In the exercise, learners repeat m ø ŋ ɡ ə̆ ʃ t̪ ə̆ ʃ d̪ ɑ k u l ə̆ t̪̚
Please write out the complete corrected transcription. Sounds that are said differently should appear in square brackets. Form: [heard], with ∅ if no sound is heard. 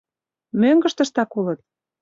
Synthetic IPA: m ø ŋ ɡ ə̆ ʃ t̪ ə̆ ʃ [t̪] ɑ k u l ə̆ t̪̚